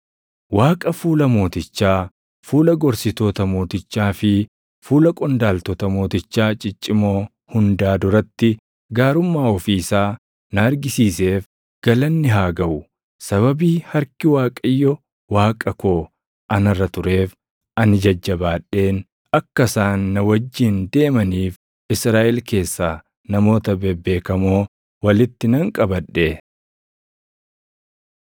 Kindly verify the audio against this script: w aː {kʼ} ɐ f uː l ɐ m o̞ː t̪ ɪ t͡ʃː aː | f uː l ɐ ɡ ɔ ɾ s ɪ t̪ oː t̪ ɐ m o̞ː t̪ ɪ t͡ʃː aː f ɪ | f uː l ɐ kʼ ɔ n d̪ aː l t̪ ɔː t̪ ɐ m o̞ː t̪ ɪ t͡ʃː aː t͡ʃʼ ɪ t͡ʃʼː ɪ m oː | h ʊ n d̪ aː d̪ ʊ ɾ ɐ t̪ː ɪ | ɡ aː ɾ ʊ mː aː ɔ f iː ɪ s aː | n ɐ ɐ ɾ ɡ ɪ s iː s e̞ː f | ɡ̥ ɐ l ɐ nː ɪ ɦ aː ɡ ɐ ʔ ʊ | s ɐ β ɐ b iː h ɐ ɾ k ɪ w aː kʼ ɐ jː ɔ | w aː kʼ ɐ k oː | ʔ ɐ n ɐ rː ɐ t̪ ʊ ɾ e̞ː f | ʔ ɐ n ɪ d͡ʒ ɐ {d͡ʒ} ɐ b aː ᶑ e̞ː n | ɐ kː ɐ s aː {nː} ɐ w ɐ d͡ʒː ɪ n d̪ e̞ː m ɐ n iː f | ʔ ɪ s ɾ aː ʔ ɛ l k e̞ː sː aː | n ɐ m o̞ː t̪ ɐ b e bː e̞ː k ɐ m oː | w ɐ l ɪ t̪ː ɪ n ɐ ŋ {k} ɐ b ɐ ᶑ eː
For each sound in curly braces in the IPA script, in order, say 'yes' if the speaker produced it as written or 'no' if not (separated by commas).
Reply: yes, no, yes, no